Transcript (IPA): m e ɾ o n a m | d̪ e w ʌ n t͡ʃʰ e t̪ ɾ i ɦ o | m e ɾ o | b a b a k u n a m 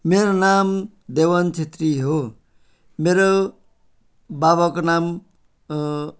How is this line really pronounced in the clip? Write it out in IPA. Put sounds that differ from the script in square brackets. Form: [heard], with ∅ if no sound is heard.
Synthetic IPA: m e ɾ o n a m | d̪ e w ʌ n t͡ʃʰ e t̪ ɾ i ɦ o | m e ɾ o | b a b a k [o] n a m